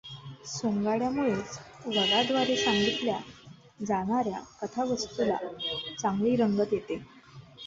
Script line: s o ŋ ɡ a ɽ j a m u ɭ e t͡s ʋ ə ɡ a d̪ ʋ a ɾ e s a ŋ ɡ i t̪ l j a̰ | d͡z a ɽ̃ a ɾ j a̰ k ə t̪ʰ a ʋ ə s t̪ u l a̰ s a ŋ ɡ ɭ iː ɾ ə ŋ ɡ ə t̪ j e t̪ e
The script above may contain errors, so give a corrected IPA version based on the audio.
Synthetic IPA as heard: s o ŋ ɡ a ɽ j a m u ɭ e t͡s ʋ ə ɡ a d̪ ʋ a ɾ e s a ŋ ɡ i t̪ l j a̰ | d͡z a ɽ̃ a ɾ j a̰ k ə t̪ʰ a ʋ ə s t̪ u l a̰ t͡s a ŋ ɡ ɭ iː ɾ ə ŋ ɡ ə t̪ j e t̪ e